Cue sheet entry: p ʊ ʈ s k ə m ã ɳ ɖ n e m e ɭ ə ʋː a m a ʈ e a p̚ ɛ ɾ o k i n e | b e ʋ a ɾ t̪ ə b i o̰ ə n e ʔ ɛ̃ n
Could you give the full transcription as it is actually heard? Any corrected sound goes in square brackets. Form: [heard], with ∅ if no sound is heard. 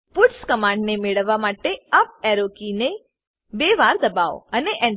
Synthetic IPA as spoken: p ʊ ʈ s k ə m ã ɳ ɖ n e m e ɭ ə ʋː a m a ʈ e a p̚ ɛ ɾ o k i n e | b e ʋ a ɾ [d̪] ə b [a] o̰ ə n e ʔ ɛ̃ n